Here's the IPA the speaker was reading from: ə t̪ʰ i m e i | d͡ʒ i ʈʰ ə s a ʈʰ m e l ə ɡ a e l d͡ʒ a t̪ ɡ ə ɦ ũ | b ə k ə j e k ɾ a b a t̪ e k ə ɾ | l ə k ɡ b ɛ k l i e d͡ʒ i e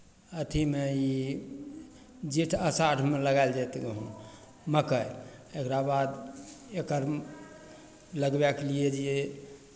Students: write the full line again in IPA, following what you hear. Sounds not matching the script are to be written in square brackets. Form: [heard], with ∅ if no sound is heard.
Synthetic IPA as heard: ə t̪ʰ i m e i | d͡ʒ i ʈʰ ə s a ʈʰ m e l ə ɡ a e l d͡ʒ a t̪ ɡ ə ɦ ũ | [m] ə k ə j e k ɾ a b a [d̪] e k ə ɾ | l ə [∅] ɡ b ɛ k l i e d͡ʒ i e